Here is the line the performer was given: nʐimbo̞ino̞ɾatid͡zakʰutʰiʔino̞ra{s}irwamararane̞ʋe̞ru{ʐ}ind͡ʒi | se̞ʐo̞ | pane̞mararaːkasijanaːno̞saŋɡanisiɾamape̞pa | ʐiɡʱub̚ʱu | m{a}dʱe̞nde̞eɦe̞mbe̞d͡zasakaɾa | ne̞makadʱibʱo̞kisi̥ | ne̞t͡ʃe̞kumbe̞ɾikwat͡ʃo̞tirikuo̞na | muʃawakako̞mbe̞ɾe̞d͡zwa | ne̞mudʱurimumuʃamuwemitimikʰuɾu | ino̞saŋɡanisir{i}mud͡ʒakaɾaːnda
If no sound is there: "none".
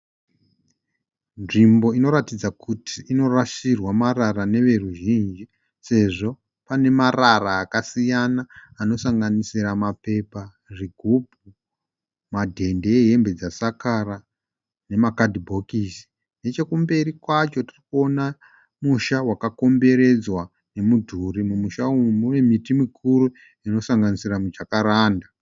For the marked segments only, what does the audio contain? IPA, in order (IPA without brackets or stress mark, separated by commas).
ʃ, ʒ, a, a